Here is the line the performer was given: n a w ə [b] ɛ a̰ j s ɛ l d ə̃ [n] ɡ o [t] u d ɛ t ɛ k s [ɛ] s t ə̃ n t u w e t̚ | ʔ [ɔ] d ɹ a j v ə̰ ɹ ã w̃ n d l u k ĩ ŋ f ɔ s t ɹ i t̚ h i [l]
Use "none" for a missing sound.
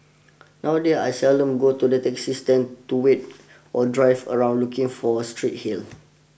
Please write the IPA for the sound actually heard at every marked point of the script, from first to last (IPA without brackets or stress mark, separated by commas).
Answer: d, m, t, i, ɔ, l